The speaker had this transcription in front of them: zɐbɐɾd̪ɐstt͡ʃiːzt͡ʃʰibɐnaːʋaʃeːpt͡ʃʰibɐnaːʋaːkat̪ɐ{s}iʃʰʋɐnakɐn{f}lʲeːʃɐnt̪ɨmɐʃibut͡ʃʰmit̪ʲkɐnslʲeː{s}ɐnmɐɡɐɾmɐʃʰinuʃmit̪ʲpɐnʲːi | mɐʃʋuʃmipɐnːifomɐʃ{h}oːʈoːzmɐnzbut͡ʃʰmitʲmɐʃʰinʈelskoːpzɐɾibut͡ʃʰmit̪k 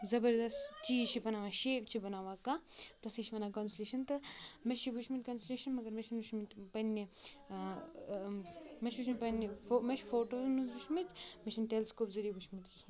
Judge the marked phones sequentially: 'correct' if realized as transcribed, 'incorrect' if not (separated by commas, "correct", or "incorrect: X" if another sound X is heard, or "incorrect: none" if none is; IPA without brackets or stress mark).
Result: correct, incorrect: s, incorrect: ʃ, incorrect: f